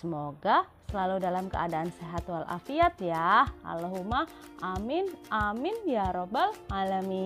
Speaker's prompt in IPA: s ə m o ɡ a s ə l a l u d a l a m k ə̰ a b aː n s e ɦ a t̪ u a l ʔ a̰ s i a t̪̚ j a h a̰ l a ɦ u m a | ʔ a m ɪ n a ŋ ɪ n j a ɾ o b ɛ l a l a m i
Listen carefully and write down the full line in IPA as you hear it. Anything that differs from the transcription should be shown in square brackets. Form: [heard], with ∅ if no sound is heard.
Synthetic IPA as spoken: s ə m o ɡ a s ə l a l u d a l a m k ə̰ a [d] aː n s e ɦ a t̪ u a l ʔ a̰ [f] i a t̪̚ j a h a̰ l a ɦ u m a | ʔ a m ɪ n a [m] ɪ n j a ɾ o b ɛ l a l a m i